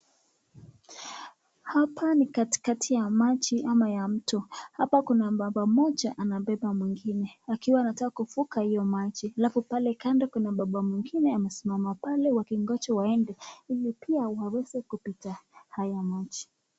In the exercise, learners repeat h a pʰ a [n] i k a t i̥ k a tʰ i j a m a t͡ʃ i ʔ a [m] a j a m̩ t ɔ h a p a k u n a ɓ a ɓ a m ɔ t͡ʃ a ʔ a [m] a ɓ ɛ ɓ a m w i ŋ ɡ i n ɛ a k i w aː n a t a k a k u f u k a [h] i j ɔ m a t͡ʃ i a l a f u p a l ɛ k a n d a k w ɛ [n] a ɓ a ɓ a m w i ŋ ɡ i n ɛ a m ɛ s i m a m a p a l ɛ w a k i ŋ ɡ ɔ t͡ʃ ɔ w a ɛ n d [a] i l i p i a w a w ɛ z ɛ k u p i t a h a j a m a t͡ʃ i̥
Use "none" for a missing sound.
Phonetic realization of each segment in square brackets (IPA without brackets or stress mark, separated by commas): n, m, n, h, n, ɛ